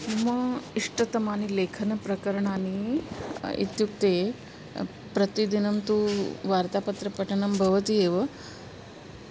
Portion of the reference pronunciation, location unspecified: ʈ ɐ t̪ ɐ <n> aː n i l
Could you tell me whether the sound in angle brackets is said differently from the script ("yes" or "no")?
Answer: yes